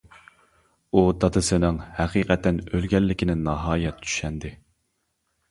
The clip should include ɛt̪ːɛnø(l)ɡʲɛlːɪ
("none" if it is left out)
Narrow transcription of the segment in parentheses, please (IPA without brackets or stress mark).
l